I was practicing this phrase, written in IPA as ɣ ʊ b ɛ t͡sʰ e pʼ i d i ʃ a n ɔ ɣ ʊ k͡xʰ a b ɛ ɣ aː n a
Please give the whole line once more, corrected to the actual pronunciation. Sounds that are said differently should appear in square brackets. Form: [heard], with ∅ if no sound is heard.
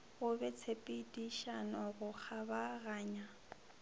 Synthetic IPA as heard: ɣ ʊ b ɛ t͡sʰ e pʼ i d i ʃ a n ɔ ɣ ʊ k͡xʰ a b [a] ɣ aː [ɲ] a